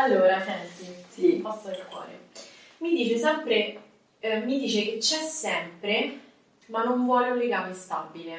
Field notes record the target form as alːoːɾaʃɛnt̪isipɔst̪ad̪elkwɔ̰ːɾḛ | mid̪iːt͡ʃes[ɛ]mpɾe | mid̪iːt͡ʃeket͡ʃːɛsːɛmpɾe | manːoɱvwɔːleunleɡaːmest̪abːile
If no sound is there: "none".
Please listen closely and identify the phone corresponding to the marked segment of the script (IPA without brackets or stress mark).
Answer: ɛ